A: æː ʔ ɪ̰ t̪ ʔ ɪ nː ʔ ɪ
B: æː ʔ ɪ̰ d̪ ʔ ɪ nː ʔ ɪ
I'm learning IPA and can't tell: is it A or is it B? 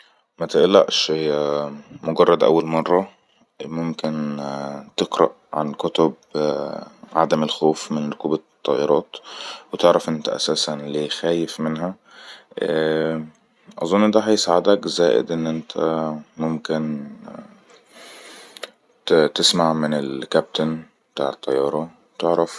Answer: B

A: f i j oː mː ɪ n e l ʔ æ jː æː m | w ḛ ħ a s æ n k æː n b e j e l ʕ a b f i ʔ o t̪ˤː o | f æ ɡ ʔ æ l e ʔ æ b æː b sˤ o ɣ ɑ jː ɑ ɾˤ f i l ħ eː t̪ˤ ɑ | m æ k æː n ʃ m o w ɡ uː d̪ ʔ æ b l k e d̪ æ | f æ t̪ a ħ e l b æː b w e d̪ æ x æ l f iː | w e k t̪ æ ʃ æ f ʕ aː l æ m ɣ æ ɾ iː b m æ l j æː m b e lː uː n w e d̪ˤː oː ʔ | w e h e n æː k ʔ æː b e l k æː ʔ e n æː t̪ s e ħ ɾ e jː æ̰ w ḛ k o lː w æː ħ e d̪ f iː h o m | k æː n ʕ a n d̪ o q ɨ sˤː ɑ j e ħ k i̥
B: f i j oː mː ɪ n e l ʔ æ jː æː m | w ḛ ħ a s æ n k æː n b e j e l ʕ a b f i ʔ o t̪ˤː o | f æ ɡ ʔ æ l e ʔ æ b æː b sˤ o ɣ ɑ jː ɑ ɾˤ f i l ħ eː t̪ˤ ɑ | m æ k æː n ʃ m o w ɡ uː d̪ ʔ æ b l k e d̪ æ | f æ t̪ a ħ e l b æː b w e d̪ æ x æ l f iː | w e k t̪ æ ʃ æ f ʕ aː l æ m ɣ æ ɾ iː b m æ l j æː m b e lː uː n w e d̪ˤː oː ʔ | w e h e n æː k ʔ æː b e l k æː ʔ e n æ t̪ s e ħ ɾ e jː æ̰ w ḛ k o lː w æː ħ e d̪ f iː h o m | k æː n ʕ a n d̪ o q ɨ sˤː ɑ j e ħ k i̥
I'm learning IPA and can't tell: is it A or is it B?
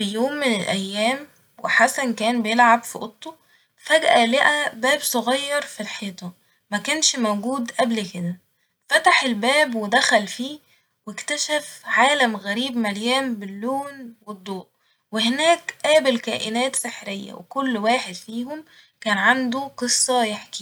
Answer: A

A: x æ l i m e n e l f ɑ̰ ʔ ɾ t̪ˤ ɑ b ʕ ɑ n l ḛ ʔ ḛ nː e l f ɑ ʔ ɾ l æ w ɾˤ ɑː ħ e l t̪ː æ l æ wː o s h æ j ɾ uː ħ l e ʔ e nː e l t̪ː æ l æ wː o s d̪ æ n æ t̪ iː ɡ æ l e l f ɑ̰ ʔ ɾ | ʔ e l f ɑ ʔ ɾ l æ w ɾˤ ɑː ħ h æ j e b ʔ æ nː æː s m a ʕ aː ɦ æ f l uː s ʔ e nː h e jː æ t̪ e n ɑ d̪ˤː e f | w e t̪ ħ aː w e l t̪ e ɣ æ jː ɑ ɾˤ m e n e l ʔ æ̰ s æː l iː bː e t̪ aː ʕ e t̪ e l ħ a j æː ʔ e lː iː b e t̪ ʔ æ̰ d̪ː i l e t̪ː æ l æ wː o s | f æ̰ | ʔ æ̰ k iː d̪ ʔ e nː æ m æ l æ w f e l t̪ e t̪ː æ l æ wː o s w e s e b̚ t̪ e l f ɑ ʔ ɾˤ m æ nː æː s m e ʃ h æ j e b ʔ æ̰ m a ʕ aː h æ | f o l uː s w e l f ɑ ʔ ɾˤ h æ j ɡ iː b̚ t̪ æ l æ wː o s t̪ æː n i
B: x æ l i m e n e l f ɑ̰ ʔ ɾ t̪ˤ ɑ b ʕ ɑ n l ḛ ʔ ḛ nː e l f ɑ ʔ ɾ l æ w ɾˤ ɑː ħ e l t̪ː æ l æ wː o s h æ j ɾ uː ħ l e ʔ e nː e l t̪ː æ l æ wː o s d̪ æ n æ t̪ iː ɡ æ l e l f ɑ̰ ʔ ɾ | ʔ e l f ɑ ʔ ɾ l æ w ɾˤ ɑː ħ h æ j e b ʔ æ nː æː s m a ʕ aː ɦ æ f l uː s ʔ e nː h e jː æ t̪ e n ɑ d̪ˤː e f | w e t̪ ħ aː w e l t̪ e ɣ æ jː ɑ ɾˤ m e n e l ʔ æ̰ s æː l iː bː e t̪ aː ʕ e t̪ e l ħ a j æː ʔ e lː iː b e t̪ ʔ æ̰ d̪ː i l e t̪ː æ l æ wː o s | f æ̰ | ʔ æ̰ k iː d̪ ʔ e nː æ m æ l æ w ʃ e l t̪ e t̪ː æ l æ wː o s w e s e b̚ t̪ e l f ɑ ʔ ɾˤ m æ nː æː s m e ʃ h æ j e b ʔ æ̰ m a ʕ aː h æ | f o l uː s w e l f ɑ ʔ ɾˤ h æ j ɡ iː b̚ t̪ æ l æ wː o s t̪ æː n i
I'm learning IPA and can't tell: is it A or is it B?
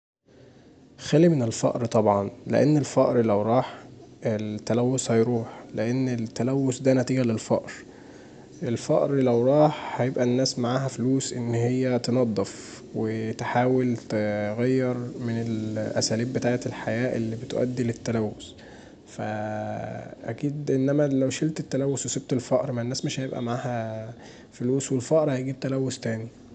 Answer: B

